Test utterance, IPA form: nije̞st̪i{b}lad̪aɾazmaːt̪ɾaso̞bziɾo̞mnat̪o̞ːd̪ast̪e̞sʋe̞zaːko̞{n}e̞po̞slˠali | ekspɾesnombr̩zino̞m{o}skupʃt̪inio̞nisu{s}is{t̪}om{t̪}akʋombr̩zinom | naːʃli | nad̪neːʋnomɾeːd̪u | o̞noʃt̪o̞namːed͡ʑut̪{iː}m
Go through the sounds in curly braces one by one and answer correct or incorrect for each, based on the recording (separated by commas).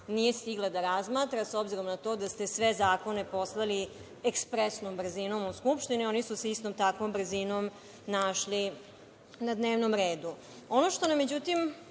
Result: incorrect, correct, incorrect, correct, correct, correct, incorrect